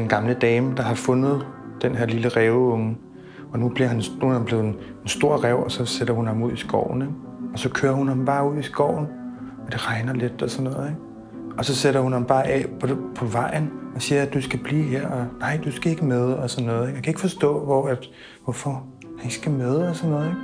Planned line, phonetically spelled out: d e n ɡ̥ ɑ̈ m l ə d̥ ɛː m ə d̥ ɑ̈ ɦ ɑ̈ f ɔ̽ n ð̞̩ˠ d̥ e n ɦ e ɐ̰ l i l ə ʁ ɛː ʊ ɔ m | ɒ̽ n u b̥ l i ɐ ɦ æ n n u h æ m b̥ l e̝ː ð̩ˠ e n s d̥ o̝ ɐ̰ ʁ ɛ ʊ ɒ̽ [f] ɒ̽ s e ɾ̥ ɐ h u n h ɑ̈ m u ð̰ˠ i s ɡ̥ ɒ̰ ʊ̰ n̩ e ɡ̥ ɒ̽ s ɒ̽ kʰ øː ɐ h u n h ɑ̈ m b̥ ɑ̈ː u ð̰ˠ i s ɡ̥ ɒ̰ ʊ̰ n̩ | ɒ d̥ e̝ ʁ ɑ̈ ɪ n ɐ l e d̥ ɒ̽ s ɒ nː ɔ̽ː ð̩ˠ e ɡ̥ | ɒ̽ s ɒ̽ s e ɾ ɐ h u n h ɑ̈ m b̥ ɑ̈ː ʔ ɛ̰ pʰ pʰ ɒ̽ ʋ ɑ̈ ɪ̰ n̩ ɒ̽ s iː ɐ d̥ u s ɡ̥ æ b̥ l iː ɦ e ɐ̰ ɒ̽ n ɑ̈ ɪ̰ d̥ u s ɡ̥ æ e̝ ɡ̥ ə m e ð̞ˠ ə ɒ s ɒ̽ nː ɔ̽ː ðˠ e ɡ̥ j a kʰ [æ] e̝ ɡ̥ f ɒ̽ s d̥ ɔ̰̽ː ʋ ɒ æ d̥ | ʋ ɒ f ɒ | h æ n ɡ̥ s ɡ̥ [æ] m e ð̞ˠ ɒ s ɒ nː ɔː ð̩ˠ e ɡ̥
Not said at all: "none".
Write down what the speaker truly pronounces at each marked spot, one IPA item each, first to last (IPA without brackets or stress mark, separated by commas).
s, æ, æ